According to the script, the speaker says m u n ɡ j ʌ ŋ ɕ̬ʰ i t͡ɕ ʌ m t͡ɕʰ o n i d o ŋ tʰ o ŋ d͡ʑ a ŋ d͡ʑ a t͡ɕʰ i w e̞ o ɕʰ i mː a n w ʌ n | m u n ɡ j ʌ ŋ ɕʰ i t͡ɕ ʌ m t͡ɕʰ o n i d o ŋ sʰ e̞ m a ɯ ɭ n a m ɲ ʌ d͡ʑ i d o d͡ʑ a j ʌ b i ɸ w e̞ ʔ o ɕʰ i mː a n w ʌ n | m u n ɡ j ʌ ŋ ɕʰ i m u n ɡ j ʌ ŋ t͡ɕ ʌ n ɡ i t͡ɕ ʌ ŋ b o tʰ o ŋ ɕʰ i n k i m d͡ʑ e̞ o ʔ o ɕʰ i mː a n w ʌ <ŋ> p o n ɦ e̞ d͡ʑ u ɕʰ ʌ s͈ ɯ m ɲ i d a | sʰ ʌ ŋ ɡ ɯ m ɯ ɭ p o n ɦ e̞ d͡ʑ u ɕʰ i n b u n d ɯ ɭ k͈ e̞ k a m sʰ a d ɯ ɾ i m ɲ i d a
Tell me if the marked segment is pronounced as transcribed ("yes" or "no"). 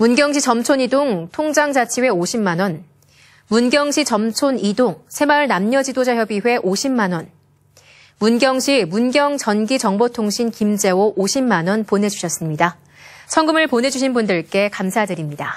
no